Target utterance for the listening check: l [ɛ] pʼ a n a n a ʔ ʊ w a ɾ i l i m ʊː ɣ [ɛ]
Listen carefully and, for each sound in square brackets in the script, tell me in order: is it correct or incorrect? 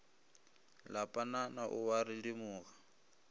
incorrect: a, incorrect: a

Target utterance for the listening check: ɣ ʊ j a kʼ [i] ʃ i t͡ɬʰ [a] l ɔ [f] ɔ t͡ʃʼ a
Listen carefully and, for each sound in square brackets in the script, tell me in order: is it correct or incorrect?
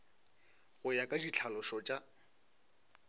incorrect: a, correct, incorrect: ʃ

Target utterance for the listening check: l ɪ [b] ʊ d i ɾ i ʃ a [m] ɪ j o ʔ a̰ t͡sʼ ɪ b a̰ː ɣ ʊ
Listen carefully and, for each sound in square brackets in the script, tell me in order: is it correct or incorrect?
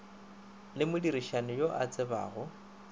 incorrect: m, incorrect: n

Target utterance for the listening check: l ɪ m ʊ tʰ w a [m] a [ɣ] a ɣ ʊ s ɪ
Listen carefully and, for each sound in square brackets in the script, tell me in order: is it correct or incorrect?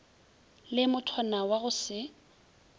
incorrect: n, incorrect: w

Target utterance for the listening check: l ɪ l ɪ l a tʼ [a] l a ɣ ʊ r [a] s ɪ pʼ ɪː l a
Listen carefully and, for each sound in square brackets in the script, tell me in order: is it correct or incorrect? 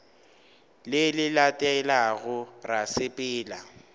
incorrect: ɛ, correct

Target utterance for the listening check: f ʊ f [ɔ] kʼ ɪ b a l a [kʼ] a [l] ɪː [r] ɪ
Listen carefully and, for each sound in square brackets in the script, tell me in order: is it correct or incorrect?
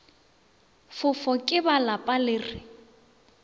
correct, incorrect: pʼ, correct, correct

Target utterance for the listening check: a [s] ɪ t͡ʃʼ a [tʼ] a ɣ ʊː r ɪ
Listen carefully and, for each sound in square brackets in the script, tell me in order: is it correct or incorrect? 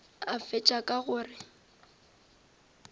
incorrect: f, incorrect: kʼ

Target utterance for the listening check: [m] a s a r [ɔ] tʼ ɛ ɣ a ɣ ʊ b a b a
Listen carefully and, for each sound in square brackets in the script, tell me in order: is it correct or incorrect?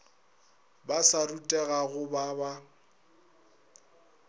incorrect: b, incorrect: u

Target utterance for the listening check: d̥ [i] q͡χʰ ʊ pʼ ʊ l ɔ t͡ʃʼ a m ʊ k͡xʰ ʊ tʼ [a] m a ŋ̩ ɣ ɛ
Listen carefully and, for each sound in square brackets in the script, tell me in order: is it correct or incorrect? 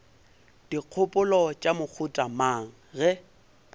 correct, correct

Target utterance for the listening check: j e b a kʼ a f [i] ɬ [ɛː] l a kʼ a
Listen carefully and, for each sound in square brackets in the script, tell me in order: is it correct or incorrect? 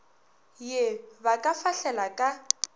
incorrect: a, incorrect: ɛ

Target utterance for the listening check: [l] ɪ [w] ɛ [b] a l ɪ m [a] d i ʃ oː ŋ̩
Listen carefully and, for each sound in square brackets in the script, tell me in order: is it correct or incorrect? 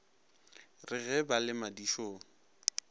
incorrect: r, incorrect: ɣ, correct, correct

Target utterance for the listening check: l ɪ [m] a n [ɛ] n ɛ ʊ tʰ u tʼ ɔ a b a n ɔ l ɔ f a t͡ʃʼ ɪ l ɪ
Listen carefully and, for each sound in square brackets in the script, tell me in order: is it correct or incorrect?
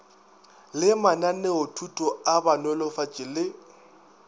correct, incorrect: a

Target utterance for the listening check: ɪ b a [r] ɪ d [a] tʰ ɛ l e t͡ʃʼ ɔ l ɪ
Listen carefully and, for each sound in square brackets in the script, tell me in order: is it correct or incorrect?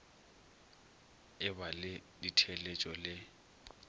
incorrect: l, incorrect: i

